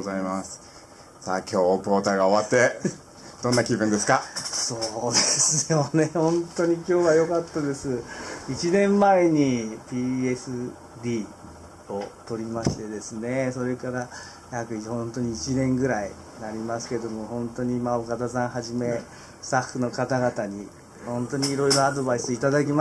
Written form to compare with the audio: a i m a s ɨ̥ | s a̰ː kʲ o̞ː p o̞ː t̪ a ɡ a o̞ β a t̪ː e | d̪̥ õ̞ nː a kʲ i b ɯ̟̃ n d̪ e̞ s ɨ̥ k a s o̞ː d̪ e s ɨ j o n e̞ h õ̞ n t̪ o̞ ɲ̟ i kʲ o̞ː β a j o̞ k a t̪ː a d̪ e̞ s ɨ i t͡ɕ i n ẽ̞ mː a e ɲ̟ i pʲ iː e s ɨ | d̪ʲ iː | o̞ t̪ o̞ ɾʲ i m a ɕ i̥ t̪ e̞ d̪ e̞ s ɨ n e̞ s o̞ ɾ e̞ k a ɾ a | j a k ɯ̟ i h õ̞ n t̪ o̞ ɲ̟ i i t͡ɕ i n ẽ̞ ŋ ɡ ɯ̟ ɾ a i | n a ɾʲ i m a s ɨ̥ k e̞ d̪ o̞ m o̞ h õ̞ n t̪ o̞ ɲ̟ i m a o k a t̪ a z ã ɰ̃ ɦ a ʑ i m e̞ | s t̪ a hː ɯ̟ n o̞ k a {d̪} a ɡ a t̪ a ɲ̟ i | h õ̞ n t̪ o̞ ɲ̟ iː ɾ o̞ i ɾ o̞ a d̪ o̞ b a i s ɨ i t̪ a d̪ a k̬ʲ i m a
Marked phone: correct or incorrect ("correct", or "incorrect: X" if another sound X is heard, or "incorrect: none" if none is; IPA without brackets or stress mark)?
incorrect: t̪